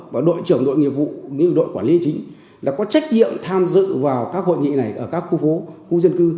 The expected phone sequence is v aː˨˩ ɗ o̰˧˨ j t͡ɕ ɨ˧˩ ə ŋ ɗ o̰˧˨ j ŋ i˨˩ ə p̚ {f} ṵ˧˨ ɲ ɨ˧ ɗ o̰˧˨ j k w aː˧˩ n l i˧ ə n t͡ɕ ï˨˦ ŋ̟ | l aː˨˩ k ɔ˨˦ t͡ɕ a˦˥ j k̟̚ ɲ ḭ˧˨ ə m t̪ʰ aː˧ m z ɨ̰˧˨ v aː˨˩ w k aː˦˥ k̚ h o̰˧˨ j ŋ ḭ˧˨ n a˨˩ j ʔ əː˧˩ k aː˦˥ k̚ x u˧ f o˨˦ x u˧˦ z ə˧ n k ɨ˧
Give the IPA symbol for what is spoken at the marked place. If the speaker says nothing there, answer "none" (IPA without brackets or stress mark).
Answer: v